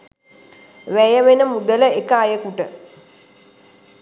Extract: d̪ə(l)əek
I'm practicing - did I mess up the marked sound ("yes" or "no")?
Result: no